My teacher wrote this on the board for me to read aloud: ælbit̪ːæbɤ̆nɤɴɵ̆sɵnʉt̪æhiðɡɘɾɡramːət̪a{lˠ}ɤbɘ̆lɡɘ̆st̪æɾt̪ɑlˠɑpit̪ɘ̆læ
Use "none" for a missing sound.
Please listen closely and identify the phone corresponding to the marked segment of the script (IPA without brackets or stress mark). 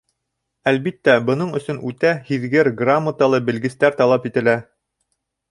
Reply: lˠ